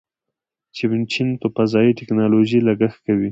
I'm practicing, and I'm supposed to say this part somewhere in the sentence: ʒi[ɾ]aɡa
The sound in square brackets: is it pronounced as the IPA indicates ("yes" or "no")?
no